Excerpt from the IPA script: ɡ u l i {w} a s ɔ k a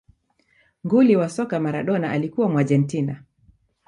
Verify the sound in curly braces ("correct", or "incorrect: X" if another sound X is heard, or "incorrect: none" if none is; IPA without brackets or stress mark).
correct